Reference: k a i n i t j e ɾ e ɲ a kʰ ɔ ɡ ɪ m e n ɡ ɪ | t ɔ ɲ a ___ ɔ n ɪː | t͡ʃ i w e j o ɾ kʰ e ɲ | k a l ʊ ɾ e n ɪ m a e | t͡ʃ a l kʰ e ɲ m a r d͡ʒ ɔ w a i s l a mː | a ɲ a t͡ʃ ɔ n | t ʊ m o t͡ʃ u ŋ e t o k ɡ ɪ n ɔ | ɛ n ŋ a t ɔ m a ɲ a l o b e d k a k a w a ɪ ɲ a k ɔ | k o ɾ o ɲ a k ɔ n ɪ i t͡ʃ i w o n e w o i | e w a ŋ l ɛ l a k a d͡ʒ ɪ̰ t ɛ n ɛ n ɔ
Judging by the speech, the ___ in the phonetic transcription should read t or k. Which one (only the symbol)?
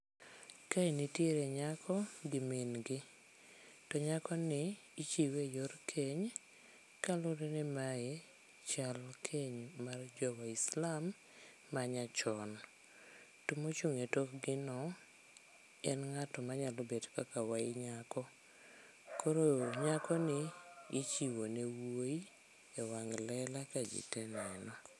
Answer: k